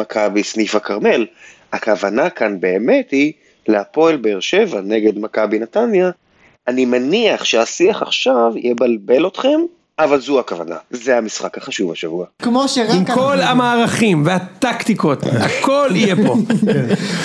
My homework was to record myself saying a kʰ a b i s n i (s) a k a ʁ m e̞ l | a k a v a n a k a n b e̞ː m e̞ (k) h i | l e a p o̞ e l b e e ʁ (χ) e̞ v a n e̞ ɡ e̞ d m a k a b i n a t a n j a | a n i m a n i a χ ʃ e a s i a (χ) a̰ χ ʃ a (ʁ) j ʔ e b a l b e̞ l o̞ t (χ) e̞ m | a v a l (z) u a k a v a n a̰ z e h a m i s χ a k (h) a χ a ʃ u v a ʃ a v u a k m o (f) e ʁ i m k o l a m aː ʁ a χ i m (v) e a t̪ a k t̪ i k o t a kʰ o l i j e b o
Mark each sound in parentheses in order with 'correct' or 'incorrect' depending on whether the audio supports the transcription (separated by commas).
incorrect, incorrect, incorrect, correct, incorrect, correct, correct, correct, incorrect, correct